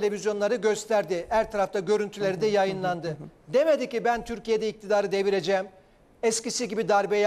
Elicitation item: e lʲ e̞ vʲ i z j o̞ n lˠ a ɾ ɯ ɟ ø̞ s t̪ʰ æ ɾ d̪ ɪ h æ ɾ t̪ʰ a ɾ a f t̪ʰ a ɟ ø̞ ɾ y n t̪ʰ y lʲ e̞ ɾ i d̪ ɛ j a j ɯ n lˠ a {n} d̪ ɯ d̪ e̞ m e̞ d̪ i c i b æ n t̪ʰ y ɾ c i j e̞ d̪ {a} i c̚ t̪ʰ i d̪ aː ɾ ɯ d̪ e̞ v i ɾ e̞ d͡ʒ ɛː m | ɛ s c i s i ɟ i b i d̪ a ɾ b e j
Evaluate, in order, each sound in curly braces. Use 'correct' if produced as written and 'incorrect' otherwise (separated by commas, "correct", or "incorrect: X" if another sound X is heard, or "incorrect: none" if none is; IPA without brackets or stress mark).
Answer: correct, incorrect: ɛ